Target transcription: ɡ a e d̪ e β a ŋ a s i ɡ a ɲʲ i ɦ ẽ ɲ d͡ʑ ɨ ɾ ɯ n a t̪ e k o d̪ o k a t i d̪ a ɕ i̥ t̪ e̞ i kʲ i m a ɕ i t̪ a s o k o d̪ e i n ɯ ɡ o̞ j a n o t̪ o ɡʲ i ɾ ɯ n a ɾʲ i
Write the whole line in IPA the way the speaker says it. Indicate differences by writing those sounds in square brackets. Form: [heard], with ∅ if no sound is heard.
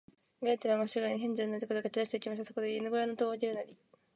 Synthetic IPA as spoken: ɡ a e [t̪] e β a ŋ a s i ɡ a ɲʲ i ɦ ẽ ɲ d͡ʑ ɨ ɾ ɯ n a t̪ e k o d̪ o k a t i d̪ a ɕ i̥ t̪ e̞ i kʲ i m a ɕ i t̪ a s o k o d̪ e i n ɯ ɡ o̞ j a n o t̪ o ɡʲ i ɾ ɯ n a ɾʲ i